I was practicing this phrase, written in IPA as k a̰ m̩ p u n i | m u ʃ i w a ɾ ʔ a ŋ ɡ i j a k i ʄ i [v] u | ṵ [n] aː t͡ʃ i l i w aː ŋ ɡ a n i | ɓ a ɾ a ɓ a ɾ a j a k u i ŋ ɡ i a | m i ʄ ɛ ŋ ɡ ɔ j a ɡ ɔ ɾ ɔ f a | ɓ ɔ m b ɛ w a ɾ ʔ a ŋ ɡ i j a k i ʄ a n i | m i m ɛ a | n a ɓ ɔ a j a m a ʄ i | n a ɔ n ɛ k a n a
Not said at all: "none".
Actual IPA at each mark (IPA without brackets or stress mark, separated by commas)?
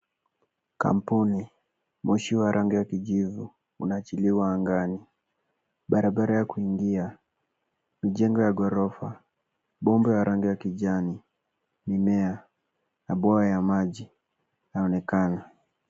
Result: v, n